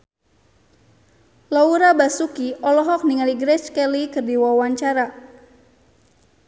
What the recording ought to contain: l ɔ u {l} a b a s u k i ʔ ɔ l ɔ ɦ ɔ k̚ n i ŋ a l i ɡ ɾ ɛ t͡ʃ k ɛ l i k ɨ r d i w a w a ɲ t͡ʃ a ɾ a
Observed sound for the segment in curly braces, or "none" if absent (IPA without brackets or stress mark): ɾ